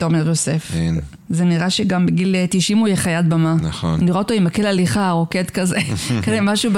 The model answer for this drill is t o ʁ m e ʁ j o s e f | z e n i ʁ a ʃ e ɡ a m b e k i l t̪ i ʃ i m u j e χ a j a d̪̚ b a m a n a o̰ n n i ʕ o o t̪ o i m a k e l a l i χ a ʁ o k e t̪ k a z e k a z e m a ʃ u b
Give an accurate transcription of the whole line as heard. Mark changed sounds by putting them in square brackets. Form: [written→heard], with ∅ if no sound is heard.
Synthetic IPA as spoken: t o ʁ m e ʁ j o s e f | z e n i ʁ a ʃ e ɡ a m b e [k→ɡ] i l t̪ i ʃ i m u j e χ a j a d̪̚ b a m a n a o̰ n n i [ʕ→ʁ] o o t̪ o i m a k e l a l i χ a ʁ o k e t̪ k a z e k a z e m a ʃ u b